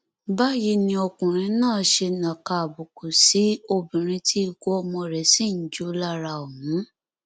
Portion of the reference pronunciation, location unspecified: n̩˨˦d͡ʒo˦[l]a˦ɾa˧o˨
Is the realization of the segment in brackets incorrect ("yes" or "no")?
no